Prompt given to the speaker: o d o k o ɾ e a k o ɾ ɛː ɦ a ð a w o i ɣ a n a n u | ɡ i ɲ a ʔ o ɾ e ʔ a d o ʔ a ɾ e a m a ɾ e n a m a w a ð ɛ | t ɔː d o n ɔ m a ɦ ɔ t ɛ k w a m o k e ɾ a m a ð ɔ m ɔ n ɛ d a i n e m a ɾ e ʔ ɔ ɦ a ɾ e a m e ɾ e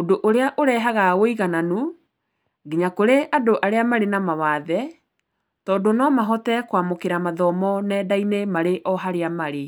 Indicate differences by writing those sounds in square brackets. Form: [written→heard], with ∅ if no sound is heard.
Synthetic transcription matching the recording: o d o [k→ʔ] o ɾ e a [k→ʔ] o ɾ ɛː ɦ a [ð→ɣ] a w o i ɣ a n a n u | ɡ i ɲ a [ʔ→k] o ɾ e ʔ a d o ʔ a ɾ e a m a ɾ e n a m a w a ð ɛ | t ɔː d o n ɔ m a ɦ ɔ t ɛ k w a m o k e ɾ a m a ð ɔ m ɔ n ɛ d a i n e m a ɾ e ʔ ɔ ɦ a ɾ e a m [e→a] ɾ e